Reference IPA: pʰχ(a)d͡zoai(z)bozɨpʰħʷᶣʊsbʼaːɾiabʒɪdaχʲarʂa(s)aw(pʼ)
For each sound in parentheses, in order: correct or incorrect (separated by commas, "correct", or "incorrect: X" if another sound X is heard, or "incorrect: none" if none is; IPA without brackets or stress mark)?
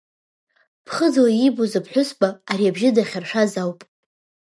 incorrect: ə, incorrect: none, incorrect: z, correct